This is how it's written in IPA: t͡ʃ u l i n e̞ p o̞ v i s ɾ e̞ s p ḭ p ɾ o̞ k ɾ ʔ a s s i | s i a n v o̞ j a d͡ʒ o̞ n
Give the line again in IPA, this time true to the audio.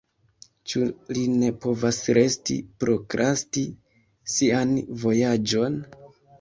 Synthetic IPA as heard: t͡ʃ u l i n e̞ p o̞ v a s ɾ e̞ s t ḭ p ɾ o̞ k ɾ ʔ a s t i | s i a n v o̞ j a d͡ʒ o̞ n